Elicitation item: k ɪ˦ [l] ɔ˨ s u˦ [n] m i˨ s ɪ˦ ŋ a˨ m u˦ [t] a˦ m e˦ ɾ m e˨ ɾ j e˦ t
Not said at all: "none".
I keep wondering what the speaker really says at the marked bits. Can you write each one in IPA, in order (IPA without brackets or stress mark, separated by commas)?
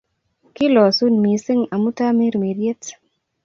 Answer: l, n, t